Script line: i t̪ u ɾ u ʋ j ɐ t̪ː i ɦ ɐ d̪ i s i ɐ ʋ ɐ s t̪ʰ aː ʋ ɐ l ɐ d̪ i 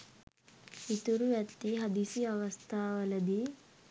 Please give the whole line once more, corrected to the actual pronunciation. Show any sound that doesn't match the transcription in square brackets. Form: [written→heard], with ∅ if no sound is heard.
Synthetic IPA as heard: i t̪ u ɾ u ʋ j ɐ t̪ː i ɦ ɐ d̪ i s i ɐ ʋ ɐ s t̪ʰ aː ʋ ɐ l ɐ d̪ i